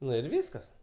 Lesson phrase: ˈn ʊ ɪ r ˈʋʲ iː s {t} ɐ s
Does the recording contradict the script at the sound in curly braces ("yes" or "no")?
yes